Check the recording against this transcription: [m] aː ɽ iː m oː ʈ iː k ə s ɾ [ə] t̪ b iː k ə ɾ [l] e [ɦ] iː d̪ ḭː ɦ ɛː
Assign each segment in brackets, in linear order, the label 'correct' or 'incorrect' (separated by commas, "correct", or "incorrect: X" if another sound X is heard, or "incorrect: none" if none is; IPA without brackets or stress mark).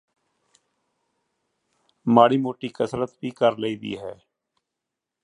correct, correct, correct, incorrect: none